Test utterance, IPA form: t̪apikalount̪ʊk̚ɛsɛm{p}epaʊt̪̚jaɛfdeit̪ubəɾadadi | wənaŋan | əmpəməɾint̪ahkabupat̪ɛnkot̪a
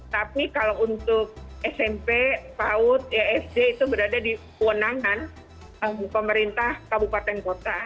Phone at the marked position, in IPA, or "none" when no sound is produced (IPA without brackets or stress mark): p